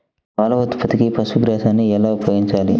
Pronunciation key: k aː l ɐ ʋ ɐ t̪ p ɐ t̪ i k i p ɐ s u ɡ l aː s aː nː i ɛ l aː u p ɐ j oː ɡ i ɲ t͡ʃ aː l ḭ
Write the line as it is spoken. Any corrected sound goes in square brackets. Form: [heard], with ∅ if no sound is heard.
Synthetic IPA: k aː l ɐ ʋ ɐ t̪ p ɐ t̪ i k i p ɐ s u ɡ [ɾ] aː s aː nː i ɛ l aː u p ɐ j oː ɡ i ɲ t͡ʃ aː l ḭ